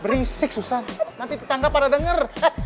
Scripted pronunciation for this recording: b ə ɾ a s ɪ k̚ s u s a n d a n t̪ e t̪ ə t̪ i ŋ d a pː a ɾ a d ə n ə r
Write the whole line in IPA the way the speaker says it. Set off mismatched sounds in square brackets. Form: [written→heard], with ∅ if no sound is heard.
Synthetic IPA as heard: b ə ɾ [a→i] s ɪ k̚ s u s a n [d→n] a n t̪ [e→i] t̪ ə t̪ [i→a] ŋ [d→ɡ] a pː a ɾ a d ə [n→ŋ] ə r

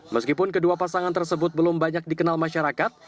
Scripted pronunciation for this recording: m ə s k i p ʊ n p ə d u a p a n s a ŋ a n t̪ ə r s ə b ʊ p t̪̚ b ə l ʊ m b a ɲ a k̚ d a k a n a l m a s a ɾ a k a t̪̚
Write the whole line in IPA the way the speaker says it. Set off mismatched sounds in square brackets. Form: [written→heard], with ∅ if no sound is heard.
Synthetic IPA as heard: m ə s k i p ʊ n [p→k] ə d u a p a [n→∅] s a ŋ a n t̪ ə r s ə b ʊ [p→∅] t̪̚ b ə l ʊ m b a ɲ a k̚ d [a→i] k [a→ə] n a l m a [s→ʃ] a ɾ a k a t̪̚

